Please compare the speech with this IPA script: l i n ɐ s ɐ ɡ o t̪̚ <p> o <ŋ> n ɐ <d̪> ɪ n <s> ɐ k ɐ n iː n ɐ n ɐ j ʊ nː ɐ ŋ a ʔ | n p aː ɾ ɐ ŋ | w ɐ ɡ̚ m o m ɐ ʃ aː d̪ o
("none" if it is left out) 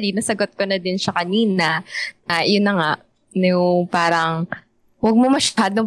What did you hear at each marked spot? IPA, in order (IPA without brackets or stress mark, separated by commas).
k, none, d̪, ʃ